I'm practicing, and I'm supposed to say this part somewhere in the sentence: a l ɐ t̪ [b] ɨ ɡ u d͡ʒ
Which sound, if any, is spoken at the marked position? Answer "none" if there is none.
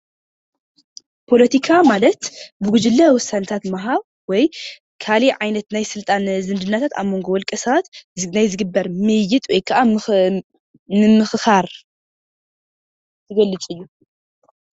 b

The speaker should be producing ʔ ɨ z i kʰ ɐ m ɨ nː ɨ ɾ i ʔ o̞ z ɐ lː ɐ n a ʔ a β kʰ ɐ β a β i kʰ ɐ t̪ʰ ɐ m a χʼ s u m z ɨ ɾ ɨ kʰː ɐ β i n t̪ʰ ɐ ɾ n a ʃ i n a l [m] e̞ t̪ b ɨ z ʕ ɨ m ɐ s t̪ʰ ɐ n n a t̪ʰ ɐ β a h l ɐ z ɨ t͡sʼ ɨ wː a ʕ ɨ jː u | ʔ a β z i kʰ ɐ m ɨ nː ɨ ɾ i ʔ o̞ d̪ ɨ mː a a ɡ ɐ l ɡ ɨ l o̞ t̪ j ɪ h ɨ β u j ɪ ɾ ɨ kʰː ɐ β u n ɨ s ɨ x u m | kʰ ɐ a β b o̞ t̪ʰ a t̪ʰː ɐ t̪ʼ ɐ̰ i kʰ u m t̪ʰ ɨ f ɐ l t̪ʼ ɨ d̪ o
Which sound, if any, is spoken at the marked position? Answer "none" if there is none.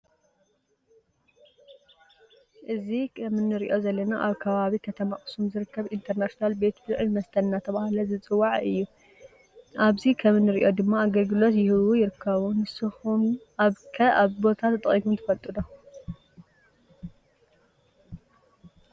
b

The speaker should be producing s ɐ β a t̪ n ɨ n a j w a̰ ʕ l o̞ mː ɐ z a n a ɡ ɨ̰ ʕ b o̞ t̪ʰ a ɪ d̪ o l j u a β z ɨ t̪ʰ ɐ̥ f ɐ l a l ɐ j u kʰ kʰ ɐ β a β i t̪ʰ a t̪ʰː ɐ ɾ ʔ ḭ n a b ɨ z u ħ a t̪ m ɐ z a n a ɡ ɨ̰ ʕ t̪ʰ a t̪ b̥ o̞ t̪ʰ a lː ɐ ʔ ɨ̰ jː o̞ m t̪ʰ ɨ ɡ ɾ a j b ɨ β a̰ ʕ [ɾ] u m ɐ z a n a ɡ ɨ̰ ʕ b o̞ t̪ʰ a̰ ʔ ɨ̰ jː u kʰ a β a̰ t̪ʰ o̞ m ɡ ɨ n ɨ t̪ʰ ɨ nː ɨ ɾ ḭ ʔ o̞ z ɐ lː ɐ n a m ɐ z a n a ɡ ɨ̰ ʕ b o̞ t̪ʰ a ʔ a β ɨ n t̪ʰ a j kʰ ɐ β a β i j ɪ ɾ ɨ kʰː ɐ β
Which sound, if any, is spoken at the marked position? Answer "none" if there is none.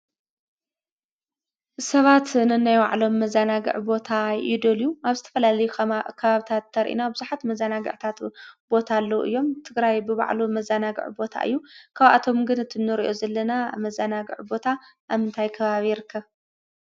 l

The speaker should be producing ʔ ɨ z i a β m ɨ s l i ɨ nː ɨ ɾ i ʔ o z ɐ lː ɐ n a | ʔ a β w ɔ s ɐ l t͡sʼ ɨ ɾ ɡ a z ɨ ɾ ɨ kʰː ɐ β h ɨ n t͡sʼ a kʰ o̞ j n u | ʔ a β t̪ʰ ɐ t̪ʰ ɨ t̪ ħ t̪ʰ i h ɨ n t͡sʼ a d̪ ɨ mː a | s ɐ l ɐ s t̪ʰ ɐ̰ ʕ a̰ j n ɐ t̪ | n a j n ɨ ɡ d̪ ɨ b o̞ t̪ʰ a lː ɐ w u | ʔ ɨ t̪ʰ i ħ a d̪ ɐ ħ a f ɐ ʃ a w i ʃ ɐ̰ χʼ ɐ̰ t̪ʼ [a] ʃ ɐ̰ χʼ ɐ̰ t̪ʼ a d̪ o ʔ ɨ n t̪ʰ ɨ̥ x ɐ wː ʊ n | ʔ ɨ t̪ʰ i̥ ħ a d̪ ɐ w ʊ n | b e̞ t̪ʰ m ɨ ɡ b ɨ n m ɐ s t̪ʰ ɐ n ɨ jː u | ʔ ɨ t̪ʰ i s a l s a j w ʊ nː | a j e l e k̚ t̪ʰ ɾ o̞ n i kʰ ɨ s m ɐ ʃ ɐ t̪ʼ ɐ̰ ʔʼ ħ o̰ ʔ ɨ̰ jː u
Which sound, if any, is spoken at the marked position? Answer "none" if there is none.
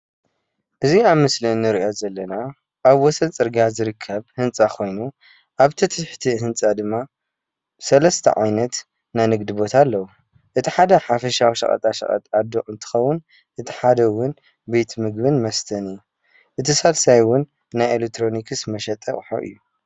a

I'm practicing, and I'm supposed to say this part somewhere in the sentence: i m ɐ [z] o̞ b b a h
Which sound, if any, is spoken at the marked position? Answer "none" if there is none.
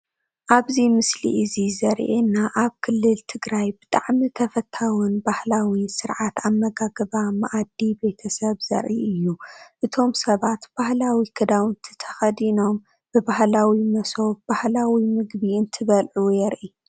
s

